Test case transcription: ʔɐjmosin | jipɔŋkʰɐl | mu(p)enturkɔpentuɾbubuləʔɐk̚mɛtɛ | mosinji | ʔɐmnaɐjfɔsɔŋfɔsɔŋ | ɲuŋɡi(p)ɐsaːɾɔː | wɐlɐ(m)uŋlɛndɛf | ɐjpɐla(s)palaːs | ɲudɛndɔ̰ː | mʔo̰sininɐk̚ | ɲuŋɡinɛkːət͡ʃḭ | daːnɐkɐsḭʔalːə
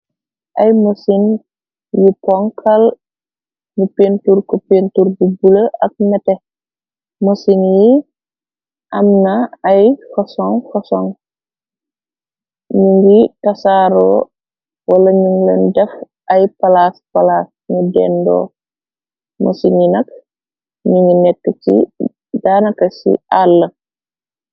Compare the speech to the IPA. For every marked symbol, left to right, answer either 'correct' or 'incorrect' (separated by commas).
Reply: correct, incorrect, incorrect, correct